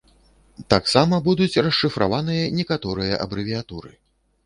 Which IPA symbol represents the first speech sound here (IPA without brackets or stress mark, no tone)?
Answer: t̪